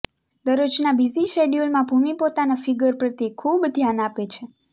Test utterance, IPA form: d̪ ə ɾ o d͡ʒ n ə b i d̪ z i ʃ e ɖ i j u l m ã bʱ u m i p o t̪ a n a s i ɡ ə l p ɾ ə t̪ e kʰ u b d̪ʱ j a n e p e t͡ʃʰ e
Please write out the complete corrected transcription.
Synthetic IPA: d̪ ə ɾ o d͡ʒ n a b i z i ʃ e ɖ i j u l m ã bʱ u m i p o t̪ a n a f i ɡ ə ɾ p ɾ ə t̪ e kʰ u b d̪ʱ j a n a p e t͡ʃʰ e